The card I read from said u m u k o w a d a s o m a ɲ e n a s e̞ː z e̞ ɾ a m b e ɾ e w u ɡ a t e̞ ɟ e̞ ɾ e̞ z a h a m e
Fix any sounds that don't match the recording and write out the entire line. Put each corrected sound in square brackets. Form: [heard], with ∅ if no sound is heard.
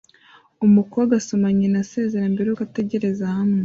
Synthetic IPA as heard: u m u k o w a [ɡ] a s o m a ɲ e n a s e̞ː z e̞ ɾ a m b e ɾ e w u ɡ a t e̞ ɟ e̞ ɾ e̞ z a h a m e